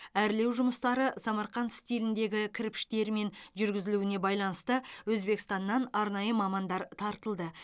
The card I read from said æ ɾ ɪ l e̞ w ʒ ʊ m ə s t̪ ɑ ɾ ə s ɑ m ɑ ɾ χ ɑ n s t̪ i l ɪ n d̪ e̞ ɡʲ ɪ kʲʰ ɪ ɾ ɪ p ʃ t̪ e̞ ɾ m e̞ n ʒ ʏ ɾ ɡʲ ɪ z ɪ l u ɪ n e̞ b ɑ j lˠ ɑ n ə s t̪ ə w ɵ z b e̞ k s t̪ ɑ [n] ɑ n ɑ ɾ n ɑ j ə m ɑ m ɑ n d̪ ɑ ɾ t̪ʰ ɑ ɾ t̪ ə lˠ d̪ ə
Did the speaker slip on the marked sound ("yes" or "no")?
yes